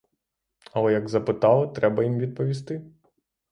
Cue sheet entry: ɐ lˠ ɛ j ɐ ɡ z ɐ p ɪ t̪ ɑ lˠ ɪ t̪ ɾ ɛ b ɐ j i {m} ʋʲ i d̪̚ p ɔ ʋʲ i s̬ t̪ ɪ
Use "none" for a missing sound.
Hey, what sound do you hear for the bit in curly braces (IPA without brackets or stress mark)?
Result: m